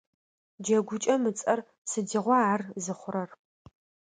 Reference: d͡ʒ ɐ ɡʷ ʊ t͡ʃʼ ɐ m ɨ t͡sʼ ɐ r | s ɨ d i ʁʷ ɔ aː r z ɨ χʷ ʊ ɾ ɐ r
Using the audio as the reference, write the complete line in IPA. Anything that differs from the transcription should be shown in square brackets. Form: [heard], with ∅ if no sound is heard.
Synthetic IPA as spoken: d͡ʒ ɐ ɡʷ ʊ t͡ʃʼ ɐ m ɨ t͡sʼ ɐ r | s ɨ d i ʁʷ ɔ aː r z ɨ χʷ ʊ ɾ ɐ r